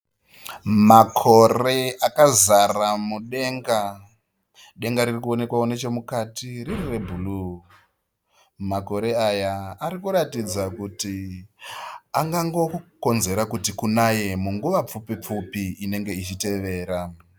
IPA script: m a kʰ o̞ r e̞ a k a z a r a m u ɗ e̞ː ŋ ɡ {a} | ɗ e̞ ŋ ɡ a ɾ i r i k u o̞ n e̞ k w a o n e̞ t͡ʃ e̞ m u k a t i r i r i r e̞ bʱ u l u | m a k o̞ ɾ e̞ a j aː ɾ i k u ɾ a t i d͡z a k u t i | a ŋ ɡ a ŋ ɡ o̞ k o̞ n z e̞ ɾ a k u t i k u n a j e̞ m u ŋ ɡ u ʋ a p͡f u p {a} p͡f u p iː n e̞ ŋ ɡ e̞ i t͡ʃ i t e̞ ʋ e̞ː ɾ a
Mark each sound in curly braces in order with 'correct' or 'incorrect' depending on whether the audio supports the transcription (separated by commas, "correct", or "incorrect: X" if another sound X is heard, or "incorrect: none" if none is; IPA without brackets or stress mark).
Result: correct, incorrect: i